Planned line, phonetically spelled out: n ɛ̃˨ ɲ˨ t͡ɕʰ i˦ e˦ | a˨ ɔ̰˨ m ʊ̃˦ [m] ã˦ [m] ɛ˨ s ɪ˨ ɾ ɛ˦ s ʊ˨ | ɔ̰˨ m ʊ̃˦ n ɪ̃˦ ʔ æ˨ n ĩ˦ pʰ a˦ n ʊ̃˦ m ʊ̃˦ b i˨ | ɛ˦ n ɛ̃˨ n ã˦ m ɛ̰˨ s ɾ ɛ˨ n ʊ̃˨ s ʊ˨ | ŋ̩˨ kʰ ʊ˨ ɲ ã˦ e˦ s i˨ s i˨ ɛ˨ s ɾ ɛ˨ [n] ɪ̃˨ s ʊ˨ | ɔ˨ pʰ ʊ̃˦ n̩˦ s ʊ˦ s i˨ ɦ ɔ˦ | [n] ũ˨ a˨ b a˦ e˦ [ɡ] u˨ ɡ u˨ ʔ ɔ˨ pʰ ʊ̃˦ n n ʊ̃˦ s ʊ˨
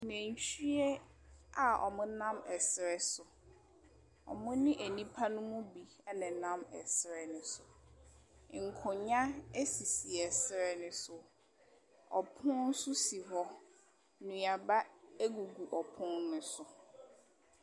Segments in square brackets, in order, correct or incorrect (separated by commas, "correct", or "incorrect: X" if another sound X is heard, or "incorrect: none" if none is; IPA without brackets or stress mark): incorrect: n, correct, correct, correct, correct